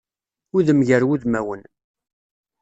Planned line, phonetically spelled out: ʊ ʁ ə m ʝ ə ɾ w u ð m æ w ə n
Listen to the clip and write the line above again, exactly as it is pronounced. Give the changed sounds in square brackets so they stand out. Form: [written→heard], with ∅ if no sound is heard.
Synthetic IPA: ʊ [ʁ→ð] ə m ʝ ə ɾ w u ð m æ w ə n